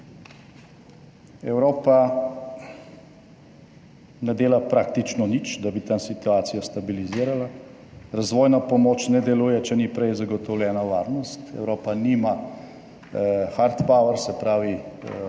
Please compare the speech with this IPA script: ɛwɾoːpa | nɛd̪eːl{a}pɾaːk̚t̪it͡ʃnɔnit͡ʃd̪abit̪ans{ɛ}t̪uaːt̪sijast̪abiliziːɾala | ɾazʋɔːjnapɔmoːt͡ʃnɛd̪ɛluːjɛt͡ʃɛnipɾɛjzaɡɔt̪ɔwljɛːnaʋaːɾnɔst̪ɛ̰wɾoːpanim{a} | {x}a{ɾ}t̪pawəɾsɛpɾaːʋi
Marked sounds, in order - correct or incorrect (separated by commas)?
correct, incorrect, correct, correct, correct